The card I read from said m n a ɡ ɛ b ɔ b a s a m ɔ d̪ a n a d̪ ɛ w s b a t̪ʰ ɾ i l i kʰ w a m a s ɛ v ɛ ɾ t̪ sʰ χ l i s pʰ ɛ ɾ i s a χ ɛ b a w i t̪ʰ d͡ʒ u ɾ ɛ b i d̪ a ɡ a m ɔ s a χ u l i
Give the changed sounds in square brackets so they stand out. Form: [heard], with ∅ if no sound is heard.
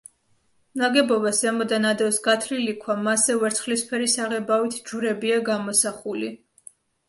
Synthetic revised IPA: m n a ɡ ɛ b ɔ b a s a m ɔ d̪ a n a d̪ ɛ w s [ɡ] a t̪ʰ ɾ i l i kʰ w a m a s ɛ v ɛ ɾ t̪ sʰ χ l i s pʰ ɛ ɾ i s a [ʁ] ɛ b a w i t̪ʰ d͡ʒ u ɾ ɛ b i [∅] a ɡ a m ɔ s a χ u l i